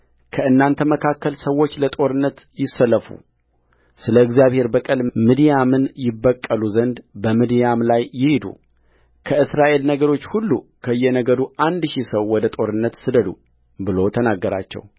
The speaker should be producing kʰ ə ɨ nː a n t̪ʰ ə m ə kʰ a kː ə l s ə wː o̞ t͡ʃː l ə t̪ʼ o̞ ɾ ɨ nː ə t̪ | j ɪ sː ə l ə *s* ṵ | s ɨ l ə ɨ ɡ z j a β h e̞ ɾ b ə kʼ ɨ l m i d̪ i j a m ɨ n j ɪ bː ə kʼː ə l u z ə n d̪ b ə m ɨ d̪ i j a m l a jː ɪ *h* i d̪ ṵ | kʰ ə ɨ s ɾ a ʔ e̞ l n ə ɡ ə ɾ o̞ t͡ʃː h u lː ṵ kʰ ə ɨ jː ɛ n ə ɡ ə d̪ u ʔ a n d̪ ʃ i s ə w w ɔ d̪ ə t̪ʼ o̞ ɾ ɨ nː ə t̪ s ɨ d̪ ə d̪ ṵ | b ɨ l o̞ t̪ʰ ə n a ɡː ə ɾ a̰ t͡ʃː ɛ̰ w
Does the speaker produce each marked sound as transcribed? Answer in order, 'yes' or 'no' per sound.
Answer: no, yes

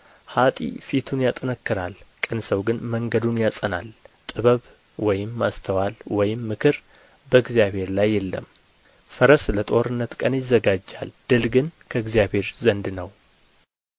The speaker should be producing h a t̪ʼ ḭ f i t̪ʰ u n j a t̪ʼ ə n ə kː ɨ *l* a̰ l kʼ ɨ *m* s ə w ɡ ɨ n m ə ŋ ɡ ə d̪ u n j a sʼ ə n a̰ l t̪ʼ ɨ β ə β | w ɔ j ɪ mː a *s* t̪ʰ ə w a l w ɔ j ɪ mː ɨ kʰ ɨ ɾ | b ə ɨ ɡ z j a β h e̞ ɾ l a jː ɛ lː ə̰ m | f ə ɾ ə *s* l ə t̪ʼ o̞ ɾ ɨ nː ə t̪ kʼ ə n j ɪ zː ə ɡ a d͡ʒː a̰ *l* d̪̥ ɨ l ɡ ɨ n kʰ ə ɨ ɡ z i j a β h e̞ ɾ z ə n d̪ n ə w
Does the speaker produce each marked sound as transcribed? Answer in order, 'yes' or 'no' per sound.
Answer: no, no, yes, yes, yes

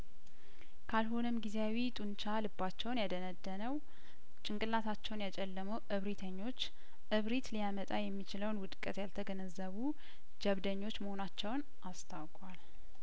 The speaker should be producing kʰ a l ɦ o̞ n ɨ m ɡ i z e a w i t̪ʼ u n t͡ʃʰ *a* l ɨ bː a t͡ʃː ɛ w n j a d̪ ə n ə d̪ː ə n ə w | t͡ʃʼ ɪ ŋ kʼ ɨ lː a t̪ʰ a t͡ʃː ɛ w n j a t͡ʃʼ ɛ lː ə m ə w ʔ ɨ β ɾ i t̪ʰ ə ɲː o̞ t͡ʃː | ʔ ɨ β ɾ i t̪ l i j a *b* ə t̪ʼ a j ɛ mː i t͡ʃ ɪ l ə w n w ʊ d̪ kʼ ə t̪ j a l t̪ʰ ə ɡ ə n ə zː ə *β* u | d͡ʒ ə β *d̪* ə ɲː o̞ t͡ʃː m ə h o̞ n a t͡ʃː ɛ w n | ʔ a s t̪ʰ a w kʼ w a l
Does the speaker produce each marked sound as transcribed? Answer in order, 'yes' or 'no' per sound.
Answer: yes, no, yes, yes

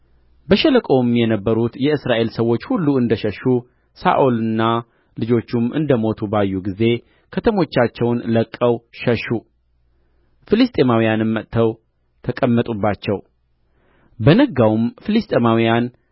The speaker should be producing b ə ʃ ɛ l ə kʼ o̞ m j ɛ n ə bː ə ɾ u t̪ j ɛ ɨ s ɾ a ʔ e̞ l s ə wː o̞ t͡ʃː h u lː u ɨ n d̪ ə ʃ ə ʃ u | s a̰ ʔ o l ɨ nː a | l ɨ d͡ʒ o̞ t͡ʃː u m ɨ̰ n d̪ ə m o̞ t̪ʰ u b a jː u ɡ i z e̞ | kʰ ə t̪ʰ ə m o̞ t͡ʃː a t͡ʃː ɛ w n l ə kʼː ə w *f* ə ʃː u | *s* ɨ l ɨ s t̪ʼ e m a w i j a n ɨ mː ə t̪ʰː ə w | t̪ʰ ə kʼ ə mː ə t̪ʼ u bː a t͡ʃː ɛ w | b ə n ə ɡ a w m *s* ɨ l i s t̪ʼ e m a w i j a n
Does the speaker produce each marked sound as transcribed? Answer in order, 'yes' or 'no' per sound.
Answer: no, no, no

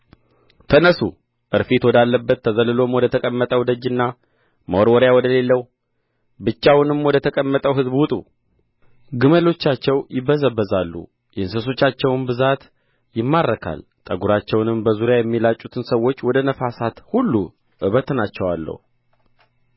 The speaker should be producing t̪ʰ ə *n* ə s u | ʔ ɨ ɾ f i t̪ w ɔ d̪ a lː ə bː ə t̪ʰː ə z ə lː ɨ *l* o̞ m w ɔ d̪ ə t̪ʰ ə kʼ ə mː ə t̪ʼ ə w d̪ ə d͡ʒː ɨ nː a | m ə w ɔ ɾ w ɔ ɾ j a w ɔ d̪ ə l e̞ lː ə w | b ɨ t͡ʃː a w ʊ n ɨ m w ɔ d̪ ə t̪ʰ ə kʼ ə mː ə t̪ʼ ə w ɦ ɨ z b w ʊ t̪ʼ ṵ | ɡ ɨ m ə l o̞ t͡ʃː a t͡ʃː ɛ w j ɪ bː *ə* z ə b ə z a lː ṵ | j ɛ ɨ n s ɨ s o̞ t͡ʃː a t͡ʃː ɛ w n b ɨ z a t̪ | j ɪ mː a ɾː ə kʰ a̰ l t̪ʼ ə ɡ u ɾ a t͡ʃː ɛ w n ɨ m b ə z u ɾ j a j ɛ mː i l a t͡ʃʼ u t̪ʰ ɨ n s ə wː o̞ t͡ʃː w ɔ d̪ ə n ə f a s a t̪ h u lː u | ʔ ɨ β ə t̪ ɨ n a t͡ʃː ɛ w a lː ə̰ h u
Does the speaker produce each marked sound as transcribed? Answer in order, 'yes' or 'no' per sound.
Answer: yes, yes, yes

